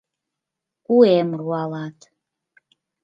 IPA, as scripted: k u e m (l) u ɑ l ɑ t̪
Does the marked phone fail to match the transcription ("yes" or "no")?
yes